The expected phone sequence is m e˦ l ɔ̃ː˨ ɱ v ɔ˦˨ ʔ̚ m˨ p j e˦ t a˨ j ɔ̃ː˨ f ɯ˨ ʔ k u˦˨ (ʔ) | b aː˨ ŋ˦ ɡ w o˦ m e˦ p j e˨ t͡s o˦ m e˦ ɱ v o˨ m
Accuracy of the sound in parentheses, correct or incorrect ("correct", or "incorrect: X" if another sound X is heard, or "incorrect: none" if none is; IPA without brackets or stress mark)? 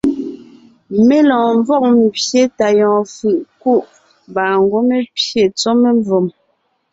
correct